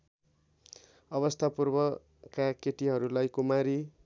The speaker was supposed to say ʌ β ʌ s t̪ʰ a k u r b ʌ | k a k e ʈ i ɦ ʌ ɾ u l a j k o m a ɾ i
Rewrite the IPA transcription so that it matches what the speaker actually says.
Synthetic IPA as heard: ʌ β ʌ s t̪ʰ a p u r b ʌ | k a k e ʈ i ɦ ʌ ɾ u l a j k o m a ɾ i